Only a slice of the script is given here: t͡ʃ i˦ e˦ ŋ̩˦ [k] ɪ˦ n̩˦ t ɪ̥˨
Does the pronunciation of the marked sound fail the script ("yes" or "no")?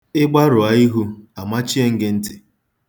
yes